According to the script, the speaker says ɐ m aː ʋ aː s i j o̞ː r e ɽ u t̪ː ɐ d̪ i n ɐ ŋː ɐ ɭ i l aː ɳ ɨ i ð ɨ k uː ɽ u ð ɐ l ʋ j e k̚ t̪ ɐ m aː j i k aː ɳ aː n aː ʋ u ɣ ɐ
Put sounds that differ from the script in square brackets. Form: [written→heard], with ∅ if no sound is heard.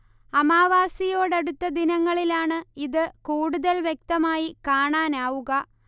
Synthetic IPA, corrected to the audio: ɐ m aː ʋ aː s i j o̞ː [r→ɽ] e ɽ u t̪ː ɐ d̪ i n ɐ ŋː ɐ ɭ i l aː ɳ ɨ i ð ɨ k uː ɽ u ð ɐ l ʋ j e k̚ t̪ ɐ m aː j i k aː ɳ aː n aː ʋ u ɣ ɐ